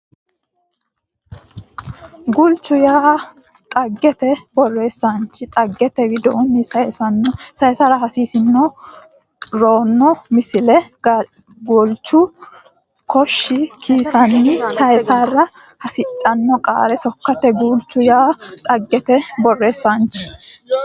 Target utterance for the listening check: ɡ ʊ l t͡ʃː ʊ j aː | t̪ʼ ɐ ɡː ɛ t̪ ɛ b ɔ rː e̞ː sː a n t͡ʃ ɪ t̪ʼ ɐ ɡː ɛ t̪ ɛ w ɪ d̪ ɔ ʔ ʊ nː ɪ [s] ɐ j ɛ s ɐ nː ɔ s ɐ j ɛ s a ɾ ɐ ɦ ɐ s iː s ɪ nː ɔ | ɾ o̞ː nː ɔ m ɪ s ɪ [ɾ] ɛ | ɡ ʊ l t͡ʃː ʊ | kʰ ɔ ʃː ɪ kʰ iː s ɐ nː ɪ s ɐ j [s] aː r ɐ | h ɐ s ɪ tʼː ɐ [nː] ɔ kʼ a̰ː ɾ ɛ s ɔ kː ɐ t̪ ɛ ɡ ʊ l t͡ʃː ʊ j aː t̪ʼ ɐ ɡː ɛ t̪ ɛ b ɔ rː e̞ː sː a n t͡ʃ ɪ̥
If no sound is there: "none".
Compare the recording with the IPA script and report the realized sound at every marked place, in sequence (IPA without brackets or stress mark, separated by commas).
s, l, s, nː